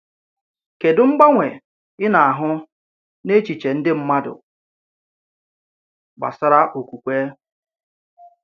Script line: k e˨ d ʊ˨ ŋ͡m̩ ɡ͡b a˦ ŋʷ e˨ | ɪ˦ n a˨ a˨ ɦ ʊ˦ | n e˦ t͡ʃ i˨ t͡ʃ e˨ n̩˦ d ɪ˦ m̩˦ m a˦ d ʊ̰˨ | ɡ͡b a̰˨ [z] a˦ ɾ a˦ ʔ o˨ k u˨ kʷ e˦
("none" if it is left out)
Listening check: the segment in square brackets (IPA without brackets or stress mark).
s